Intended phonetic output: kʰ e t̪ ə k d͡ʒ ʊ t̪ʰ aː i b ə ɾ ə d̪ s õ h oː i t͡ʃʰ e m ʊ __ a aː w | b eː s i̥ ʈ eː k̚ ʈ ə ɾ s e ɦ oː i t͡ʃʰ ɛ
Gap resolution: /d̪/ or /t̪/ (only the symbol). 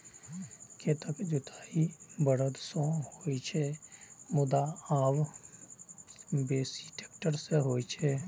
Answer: d̪